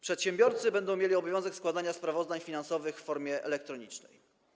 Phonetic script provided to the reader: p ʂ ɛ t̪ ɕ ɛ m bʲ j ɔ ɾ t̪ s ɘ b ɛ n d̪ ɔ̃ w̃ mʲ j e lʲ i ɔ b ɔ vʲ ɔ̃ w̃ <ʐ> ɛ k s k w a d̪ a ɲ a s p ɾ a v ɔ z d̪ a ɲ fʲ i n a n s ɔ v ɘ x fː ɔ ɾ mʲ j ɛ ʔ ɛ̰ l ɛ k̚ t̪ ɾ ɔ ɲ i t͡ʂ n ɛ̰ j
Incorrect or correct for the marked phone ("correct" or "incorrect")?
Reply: incorrect